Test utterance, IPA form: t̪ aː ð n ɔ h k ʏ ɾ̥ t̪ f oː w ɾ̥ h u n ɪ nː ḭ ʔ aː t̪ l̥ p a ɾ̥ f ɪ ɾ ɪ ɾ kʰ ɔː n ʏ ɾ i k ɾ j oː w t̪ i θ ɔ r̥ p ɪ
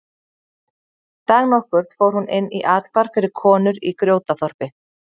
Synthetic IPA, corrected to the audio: t̪ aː ɣ n ɔ h k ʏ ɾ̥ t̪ f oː w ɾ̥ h u n ɪ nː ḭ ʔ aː t̪ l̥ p a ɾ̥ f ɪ ɾ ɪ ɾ kʰ ɔː n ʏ ɾ i k ɾ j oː w t̪ a θ ɔ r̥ p ɪ